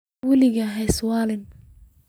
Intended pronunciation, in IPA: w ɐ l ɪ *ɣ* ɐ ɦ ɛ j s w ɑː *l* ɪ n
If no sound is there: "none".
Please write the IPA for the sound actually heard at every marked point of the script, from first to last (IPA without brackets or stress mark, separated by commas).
ɣ, l